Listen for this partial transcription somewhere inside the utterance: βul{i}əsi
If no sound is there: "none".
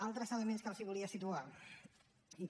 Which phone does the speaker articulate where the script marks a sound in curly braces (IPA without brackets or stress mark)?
i